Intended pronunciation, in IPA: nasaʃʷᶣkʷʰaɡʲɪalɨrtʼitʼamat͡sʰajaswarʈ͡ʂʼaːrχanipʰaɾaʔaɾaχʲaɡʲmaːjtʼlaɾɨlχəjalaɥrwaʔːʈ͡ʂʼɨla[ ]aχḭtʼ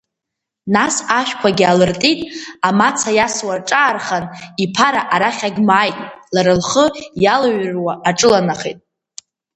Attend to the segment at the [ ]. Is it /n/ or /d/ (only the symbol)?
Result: n